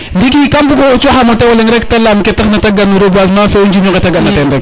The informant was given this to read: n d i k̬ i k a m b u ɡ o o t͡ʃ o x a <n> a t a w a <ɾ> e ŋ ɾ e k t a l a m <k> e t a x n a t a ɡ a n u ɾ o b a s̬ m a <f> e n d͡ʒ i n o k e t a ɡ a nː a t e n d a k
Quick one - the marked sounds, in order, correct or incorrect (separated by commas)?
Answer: incorrect, incorrect, correct, correct